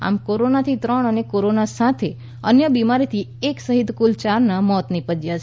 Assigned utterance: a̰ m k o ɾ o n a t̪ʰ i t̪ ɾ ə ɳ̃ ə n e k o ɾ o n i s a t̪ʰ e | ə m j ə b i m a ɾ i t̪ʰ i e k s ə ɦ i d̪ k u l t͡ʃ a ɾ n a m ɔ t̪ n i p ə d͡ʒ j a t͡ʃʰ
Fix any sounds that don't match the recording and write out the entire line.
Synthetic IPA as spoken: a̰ m k o ɾ o n a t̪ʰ i t̪ ɾ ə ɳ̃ ə n e k o ɾ o n a s a t̪ʰ e | ə n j ə b i m a ɾ i t̪ʰ i e k s ə ɦ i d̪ k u l t͡ʃ a ɾ n a m ɔ t̪ n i p ə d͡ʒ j a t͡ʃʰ